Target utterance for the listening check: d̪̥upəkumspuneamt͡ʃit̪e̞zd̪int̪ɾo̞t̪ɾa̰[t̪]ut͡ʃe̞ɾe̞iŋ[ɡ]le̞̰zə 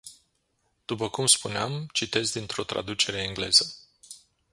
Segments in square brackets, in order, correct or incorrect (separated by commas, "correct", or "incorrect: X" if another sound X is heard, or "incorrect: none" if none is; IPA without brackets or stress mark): incorrect: d̪, correct